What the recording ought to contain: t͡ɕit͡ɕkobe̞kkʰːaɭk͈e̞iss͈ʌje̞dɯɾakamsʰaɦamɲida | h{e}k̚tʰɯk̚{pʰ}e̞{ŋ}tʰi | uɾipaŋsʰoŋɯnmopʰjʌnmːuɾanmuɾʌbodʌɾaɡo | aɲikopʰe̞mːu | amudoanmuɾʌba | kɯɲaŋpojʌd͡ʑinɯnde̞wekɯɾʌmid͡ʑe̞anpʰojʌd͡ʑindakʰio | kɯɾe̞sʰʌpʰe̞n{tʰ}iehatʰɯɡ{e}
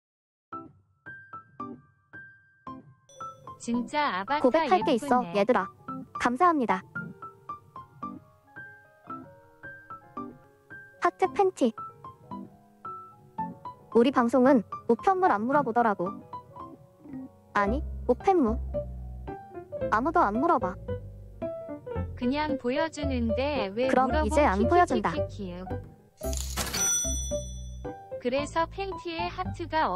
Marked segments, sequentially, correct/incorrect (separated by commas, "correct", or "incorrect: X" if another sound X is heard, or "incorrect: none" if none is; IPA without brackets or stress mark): incorrect: a, correct, incorrect: n, correct, incorrect: a